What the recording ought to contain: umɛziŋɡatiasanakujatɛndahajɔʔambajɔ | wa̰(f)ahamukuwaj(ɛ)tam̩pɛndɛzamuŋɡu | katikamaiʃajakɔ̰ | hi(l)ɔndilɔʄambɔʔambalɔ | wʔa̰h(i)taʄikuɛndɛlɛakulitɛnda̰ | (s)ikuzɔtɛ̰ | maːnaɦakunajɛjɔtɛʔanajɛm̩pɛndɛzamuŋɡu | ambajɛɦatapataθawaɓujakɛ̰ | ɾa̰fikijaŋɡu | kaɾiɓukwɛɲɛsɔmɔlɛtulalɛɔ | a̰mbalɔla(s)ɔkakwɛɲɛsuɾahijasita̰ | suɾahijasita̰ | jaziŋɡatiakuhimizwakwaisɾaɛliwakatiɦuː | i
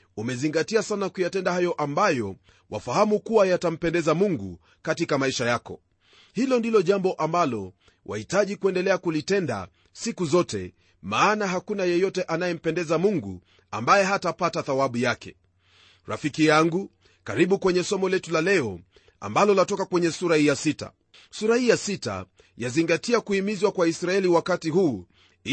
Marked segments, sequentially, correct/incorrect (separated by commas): correct, incorrect, correct, correct, correct, incorrect